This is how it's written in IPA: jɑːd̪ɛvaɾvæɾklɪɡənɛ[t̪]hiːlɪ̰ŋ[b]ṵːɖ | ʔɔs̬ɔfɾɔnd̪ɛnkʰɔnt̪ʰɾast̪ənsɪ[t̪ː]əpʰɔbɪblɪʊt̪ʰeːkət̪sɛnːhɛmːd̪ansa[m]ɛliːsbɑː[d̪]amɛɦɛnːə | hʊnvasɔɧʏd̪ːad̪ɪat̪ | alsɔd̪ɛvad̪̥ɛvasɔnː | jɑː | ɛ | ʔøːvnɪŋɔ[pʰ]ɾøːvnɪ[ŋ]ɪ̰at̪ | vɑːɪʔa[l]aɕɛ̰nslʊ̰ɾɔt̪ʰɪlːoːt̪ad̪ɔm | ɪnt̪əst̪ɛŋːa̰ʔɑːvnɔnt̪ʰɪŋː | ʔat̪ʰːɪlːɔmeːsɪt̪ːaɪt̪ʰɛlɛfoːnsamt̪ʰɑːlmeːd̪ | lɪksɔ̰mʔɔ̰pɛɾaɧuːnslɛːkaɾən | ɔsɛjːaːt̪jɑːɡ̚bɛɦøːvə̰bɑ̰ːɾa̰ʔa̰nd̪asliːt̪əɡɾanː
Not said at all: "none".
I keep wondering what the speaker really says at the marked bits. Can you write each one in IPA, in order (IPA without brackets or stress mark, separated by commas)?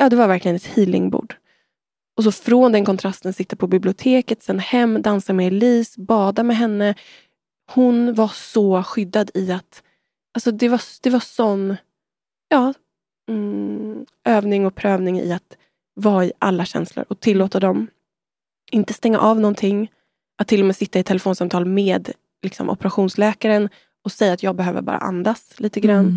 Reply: t̪, b, t̪ː, m, d̪, pʰ, ŋ, lː